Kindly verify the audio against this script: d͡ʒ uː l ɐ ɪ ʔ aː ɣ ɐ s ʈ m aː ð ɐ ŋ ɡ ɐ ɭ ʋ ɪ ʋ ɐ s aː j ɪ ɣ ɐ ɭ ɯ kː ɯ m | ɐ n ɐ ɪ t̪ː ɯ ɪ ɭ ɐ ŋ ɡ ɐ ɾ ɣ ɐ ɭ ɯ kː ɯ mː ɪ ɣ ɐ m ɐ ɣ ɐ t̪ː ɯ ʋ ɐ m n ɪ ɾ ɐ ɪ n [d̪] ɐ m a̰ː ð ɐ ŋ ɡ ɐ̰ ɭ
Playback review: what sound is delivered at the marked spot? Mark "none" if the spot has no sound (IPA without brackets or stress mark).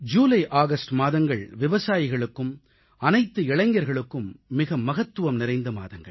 d̪